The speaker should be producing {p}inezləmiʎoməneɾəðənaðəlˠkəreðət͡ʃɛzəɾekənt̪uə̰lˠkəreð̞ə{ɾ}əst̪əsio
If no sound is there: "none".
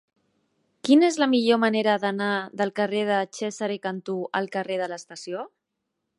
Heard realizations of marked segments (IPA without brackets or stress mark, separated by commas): k, l